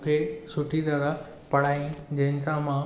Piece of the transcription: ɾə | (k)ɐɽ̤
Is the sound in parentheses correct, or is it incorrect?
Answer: incorrect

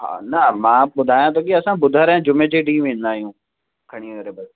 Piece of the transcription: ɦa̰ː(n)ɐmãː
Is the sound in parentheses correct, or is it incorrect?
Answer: correct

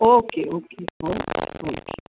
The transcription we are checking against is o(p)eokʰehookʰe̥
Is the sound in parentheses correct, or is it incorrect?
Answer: incorrect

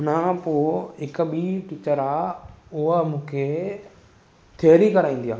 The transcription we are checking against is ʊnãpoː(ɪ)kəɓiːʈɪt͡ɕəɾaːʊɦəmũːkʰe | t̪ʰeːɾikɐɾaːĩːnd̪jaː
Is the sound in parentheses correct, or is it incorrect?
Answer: correct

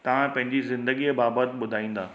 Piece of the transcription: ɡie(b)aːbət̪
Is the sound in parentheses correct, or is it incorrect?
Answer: correct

